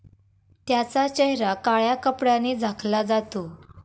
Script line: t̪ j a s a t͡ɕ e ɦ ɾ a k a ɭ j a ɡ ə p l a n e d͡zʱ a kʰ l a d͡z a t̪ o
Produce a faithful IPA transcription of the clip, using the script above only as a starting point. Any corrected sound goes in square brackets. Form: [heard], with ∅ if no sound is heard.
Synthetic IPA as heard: t̪ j a [t͡s] a t͡ɕ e ɦ ɾ a k a ɭ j a [k] ə p [ɽ] a n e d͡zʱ a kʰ l a d͡z a t̪ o